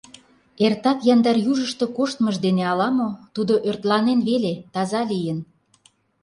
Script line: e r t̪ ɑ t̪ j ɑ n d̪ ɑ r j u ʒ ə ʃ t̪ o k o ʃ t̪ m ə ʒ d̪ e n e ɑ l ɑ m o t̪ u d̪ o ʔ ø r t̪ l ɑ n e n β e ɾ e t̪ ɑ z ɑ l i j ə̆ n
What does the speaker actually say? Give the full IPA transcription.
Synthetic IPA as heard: e r t̪ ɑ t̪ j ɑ n d̪ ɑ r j u ʒ ə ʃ t̪ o k o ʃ t̪ m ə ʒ d̪ e n e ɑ l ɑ m o t̪ u d̪ o ʔ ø r t̪ l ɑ n e n β e l e t̪ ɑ z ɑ l i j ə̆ n